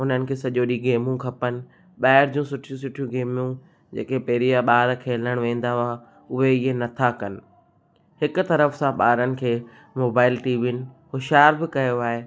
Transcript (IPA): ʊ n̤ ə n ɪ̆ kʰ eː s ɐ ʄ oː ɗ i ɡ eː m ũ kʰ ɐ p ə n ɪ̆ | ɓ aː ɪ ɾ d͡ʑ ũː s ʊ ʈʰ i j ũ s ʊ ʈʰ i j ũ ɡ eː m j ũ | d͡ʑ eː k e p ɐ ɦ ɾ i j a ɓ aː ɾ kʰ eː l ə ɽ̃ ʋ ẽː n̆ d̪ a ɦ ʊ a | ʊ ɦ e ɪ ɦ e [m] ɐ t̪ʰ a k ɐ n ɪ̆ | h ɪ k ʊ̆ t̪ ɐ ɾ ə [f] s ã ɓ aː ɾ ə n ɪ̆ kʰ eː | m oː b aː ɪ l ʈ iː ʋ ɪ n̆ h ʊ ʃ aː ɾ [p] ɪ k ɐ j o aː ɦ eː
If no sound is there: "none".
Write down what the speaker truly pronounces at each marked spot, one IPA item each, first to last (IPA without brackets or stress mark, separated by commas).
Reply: n, f, b